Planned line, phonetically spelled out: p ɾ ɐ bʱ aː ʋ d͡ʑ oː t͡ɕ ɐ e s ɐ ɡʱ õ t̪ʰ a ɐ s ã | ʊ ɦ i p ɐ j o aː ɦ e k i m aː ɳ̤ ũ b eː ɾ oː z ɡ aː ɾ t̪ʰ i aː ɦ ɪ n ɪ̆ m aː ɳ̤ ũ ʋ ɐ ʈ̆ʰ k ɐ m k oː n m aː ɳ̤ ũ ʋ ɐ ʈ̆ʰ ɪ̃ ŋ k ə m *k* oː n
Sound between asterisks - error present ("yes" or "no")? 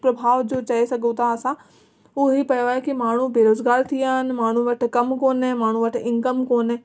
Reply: no